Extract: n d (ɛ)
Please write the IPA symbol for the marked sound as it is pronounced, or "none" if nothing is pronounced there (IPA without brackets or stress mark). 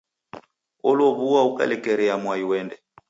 ɛ